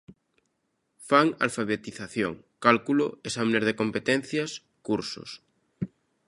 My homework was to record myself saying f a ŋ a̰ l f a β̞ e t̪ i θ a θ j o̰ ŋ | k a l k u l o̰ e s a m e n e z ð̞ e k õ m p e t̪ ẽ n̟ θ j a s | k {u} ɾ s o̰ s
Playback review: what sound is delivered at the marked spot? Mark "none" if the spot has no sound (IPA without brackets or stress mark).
u